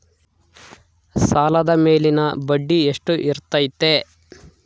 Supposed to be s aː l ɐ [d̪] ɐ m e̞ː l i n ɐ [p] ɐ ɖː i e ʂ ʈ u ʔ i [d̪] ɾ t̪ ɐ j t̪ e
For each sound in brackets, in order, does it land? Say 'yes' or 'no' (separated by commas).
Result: yes, no, no